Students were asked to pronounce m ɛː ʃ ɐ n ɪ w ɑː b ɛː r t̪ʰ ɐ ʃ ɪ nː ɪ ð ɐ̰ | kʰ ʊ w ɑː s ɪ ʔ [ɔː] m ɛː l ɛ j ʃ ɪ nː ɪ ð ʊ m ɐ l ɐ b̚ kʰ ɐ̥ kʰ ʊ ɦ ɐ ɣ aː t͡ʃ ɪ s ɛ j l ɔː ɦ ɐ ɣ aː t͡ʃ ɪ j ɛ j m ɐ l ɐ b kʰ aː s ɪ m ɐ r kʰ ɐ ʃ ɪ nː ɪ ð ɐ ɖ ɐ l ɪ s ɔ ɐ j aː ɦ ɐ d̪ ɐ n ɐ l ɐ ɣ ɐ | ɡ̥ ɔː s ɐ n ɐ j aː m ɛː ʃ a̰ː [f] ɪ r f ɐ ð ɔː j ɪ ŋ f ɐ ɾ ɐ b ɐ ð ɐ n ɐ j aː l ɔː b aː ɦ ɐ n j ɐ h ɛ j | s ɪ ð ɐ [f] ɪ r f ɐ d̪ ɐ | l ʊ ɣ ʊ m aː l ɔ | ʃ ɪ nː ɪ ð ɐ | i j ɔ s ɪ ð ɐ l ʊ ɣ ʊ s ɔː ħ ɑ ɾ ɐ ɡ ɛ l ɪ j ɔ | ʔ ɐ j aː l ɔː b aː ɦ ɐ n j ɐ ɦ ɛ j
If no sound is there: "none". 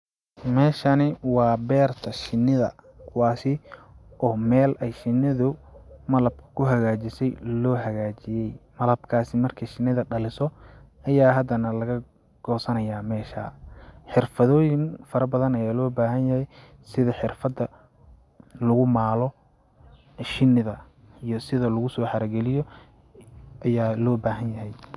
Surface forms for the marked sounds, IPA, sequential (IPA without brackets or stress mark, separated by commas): ɔː, ħ, ħ